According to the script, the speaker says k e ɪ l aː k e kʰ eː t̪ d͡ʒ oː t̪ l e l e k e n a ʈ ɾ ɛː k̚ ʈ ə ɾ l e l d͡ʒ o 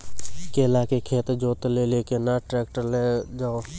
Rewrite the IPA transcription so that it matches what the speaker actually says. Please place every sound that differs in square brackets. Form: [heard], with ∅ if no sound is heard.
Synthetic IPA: k e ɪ l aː k e kʰ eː t̪ d͡ʒ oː t̪ l e l e k e n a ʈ ɾ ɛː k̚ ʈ ə ɾ l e [∅] d͡ʒ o